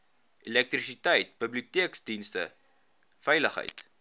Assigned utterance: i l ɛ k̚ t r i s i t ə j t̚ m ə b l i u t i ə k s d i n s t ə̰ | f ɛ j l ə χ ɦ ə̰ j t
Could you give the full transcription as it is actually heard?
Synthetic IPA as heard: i l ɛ k̚ t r i s i t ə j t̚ b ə b l i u t i ə k s d i n s t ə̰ | f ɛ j l ə χ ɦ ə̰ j t